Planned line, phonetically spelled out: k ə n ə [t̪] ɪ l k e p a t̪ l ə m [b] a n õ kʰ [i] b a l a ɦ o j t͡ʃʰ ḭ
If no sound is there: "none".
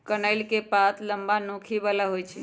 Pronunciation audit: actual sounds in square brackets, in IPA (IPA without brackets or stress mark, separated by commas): none, b, i